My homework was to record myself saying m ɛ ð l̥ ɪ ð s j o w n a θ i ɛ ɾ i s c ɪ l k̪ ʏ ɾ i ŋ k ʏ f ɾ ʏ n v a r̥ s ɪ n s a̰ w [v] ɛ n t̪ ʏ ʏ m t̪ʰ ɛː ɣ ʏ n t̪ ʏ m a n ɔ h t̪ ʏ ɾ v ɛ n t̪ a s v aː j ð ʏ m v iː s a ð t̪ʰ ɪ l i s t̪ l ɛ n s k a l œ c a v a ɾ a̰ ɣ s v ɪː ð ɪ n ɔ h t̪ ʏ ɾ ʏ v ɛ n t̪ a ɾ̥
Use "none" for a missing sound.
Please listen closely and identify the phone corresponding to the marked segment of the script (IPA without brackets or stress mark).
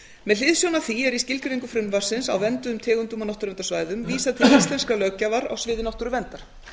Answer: v